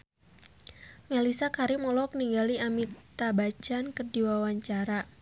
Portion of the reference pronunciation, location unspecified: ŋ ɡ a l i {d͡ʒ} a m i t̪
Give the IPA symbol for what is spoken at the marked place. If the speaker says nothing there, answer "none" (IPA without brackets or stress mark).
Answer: none